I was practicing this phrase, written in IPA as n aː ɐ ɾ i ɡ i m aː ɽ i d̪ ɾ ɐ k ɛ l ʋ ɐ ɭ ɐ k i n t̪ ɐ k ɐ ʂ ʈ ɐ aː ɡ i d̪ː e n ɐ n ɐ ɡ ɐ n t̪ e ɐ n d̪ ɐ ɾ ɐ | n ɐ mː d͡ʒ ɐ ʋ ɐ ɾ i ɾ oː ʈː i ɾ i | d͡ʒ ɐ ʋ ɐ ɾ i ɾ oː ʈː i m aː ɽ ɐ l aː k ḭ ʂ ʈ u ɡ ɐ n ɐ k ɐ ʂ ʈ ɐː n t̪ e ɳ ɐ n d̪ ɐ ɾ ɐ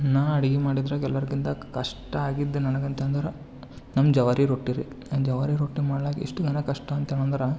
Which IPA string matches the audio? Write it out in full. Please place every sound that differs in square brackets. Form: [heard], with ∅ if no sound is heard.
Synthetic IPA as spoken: n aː ɐ [ɽ] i ɡ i m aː ɽ i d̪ ɾ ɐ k ɛ l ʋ ɐ [ɾ] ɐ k i n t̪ ɐ k ɐ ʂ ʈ ɐ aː ɡ i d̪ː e n ɐ n ɐ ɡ ɐ n t̪ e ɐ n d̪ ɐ ɾ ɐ | n ɐ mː d͡ʒ ɐ ʋ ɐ ɾ i ɾ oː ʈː i ɾ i | d͡ʒ ɐ ʋ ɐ ɾ i ɾ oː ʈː i m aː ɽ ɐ l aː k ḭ ʂ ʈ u ɡ ɐ n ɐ k ɐ ʂ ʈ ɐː n t̪ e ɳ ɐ n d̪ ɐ ɾ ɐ